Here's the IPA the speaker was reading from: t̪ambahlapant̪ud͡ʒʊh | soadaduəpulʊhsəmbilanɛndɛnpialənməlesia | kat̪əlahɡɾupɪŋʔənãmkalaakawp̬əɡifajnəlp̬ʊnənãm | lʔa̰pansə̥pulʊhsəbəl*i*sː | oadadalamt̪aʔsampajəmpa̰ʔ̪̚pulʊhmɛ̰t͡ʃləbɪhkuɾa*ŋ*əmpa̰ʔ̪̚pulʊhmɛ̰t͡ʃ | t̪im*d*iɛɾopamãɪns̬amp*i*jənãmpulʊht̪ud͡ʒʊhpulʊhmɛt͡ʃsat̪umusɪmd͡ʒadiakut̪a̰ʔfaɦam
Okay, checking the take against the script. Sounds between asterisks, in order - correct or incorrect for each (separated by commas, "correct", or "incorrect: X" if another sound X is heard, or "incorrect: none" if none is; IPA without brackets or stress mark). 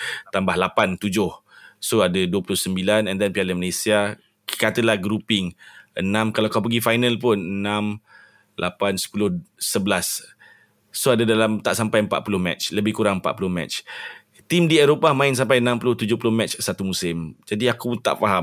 incorrect: a, correct, correct, incorrect: a